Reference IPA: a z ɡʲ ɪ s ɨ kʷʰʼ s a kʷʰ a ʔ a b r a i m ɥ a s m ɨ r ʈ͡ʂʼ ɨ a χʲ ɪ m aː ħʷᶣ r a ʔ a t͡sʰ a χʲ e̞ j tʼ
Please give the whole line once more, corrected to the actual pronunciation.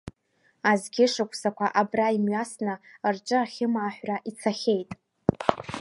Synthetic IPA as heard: a z ɡʲ ɪ ʂ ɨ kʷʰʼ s a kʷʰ a ʔ a b r a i m ɥ a s n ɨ r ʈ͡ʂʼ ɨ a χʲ ɪ m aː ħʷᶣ r a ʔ i t͡sʰ a χʲ e̞ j tʼ